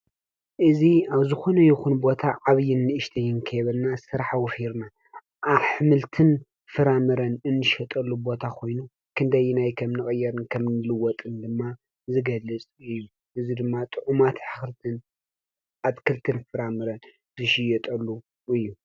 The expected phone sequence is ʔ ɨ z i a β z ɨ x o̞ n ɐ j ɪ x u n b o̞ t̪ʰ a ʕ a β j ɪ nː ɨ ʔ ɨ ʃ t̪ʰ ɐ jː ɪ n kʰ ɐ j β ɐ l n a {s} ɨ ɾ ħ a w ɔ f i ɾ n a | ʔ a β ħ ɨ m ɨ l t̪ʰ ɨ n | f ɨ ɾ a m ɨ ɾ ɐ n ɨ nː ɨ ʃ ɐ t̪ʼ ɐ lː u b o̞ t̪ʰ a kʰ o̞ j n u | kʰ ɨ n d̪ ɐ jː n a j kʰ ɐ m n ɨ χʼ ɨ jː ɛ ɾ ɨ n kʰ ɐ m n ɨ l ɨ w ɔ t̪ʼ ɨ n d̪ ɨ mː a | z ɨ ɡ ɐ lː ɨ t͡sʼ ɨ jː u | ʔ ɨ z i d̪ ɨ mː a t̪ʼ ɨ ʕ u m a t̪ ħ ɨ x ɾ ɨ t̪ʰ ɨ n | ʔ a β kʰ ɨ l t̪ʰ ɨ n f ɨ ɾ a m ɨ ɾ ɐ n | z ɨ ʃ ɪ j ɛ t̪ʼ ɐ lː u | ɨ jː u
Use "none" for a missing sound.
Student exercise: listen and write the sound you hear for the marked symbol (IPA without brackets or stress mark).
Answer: s